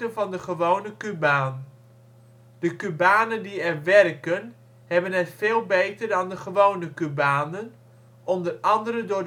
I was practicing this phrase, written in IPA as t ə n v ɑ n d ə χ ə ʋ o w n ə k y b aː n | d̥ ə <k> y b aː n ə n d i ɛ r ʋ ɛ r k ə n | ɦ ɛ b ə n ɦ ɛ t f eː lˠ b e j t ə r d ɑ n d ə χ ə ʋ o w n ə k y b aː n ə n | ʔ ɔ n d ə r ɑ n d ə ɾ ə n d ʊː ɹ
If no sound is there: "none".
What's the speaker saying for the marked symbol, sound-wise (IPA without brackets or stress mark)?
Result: k